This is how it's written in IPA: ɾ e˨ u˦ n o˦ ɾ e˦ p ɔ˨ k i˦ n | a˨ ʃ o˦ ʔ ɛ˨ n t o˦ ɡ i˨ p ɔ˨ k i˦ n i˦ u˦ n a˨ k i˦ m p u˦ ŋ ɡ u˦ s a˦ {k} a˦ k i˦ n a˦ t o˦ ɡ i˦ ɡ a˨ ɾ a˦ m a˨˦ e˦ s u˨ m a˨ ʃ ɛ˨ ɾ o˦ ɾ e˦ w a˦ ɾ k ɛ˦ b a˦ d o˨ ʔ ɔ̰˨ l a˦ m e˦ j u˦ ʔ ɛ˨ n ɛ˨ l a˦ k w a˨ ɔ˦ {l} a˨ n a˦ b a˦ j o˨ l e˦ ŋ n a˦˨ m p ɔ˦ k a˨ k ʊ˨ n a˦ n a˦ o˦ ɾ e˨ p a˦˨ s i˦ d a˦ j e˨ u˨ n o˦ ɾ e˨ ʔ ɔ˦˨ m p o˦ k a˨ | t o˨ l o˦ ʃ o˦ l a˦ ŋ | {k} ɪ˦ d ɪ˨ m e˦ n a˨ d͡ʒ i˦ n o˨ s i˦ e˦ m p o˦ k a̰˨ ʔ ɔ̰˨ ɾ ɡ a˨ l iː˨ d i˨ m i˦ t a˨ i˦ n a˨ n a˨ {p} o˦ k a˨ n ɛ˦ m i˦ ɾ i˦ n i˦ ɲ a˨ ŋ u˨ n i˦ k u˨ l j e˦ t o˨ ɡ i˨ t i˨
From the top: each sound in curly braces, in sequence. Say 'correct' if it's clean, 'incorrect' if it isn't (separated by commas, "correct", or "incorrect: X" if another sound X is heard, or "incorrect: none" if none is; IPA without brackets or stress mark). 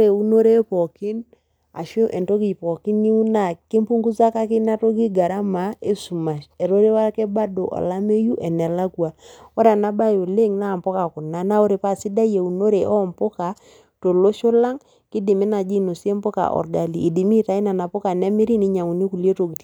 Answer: correct, incorrect: ɾ, correct, correct